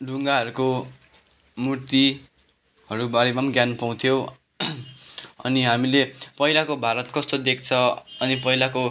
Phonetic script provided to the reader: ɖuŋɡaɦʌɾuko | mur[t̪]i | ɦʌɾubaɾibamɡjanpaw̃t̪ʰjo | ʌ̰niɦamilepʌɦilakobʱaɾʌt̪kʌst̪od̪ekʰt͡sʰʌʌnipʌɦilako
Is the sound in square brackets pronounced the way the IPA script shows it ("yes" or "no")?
yes